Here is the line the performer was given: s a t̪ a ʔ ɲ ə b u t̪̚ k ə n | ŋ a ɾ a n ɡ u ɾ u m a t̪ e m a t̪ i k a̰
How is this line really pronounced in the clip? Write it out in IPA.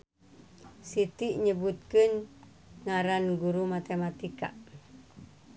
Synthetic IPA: s i t̪ i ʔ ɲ ə b u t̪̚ k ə n | ŋ a ɾ a n ɡ u ɾ u m a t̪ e m a t̪ i k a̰